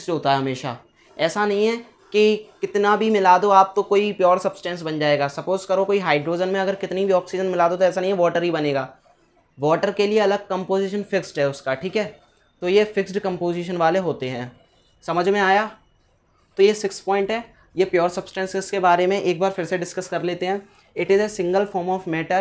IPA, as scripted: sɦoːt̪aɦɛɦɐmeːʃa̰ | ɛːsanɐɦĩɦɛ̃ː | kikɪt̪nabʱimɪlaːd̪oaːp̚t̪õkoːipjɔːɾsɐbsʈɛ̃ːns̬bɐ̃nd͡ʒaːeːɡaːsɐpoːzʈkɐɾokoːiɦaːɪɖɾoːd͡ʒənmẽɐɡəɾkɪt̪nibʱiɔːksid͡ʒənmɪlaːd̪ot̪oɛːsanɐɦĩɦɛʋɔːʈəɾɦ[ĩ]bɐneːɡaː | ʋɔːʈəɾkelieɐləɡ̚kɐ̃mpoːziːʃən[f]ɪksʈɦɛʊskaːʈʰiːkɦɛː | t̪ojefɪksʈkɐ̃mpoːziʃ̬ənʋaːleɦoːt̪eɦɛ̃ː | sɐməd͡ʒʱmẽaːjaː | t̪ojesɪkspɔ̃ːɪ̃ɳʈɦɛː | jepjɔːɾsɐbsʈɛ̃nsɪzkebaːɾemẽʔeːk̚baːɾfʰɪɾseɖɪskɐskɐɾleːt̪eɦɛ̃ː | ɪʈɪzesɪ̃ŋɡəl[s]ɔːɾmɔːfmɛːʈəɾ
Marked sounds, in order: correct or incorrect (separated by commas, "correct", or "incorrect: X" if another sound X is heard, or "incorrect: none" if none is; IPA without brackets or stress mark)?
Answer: incorrect: i, correct, incorrect: f